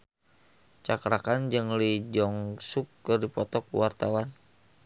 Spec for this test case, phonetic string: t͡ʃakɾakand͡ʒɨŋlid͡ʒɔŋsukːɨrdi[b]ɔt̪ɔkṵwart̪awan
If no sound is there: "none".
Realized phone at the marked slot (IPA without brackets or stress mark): p